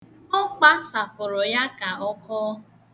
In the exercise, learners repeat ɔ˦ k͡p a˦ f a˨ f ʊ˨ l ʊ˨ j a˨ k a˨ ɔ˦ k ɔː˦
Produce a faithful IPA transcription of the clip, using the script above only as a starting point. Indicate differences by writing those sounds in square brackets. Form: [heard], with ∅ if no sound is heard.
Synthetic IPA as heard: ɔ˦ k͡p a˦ [s] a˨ f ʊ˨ [ɾ] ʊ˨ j [a˦] k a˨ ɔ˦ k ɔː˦